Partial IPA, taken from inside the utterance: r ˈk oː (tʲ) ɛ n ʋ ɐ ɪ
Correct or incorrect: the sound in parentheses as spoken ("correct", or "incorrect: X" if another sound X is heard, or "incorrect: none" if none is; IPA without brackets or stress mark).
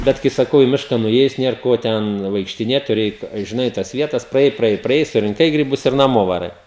correct